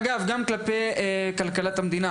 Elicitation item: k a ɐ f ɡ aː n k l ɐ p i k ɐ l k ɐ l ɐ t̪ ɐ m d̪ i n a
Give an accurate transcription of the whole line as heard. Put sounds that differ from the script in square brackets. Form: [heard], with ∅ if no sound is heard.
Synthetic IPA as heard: [ɡ] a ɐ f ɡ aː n k l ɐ p [e] k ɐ l k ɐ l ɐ t̪ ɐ m d̪ i n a